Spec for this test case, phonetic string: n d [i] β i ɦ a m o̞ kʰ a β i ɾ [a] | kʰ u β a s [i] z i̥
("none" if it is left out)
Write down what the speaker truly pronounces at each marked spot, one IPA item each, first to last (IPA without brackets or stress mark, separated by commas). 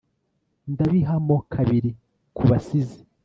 a, i, i